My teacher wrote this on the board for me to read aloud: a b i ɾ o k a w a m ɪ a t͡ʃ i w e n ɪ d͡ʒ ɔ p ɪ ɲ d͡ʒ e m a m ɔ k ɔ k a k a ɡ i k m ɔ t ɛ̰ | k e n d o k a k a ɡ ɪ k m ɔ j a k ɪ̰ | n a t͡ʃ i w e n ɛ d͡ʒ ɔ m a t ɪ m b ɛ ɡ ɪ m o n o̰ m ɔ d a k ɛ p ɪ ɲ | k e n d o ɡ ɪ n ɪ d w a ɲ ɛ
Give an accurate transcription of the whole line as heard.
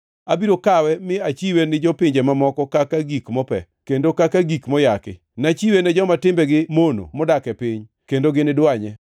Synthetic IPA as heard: a b i ɾ o k a w ɛ m ɪ a t͡ʃ i w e n ɪ d͡ʒ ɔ p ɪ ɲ d͡ʒ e m a m ɔ k ɔ k a k a ɡ i k m ɔ p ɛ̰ | k e n d o k a k a ɡ i k m ɔ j a k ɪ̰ | n a t͡ʃ i w e n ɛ d͡ʒ ɔ m a t ɪ m b ɛ ɡ ɪ m o n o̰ m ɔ d a k ɛ p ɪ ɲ | k e n d o ɡ ɪ n ɪ d w a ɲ ɛ